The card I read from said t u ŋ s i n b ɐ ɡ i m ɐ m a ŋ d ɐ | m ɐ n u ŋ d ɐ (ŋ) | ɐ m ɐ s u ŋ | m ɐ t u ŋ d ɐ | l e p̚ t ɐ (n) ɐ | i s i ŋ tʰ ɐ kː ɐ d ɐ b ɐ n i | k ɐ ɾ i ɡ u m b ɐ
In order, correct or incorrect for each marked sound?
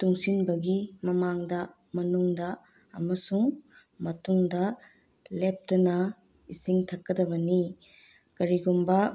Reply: incorrect: none, correct

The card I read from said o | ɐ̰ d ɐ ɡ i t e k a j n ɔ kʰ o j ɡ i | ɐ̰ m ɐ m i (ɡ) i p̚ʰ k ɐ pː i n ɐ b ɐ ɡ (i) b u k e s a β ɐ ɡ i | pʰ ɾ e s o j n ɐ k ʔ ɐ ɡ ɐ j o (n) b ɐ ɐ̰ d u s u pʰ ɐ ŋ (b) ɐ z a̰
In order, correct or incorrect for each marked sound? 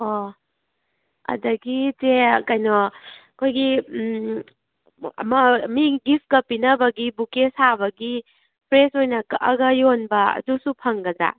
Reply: correct, correct, correct, incorrect: ɡ

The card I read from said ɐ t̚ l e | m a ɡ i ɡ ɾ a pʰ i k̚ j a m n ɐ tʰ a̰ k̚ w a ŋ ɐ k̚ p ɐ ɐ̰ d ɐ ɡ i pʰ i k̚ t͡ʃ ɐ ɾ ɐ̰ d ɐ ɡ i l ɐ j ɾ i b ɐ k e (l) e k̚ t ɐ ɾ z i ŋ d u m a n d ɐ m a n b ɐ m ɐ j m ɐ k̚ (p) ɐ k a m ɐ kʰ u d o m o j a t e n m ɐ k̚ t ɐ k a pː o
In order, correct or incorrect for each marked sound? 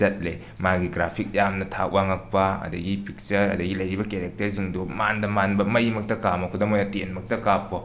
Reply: incorrect: ɾ, incorrect: t

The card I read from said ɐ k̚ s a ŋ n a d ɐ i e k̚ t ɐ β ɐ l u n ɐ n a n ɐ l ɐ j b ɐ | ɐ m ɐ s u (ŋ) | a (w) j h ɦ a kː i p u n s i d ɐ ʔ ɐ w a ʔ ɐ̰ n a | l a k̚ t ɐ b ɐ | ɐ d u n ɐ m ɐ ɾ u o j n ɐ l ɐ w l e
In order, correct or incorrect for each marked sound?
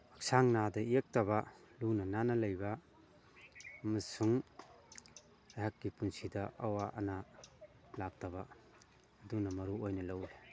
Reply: correct, incorrect: none

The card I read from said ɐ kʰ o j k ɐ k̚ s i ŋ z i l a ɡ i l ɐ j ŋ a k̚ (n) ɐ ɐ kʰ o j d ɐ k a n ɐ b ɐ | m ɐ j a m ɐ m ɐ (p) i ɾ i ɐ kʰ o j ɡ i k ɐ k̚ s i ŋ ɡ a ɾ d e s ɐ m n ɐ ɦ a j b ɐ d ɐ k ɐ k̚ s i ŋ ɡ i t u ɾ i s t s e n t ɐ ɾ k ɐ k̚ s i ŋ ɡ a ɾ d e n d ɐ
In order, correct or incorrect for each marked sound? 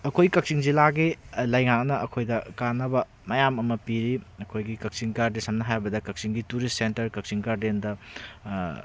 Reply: correct, correct

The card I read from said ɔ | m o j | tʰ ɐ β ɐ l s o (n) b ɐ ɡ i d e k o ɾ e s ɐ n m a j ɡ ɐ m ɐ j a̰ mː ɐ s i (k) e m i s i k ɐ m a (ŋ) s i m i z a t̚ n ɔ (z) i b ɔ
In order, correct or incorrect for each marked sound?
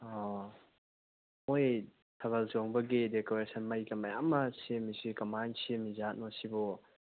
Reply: incorrect: ŋ, incorrect: none, incorrect: n, incorrect: s

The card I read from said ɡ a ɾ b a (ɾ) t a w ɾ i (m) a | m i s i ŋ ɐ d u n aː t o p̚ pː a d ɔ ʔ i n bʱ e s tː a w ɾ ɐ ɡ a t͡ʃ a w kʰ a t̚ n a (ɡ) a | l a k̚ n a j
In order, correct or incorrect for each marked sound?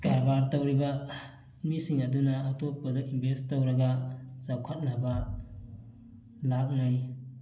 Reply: correct, incorrect: b, incorrect: b

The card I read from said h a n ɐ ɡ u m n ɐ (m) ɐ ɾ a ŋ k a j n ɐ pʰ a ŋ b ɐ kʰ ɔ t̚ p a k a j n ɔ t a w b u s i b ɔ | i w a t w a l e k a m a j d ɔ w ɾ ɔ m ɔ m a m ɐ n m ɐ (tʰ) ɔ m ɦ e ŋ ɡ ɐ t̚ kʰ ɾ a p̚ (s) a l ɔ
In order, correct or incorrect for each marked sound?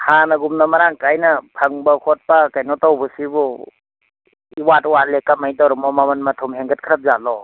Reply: correct, correct, incorrect: z

